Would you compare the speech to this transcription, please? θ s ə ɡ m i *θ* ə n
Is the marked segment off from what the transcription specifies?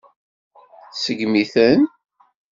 no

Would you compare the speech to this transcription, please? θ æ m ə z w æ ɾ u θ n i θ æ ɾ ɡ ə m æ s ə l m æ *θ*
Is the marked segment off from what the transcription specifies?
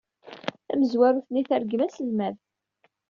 yes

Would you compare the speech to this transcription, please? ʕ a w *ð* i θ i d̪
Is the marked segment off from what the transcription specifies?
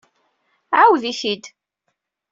no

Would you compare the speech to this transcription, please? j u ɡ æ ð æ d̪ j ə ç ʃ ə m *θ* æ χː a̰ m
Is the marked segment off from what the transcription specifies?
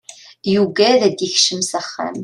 yes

